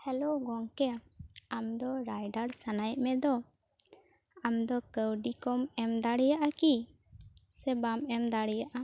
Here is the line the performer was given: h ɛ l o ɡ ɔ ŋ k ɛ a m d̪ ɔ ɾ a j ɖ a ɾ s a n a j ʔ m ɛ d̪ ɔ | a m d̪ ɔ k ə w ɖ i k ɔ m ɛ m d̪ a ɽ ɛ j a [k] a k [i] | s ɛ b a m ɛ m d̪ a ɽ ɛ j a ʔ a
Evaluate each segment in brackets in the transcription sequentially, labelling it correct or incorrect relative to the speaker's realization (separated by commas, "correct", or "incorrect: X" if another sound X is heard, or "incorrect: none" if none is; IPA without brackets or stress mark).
incorrect: ʔ, correct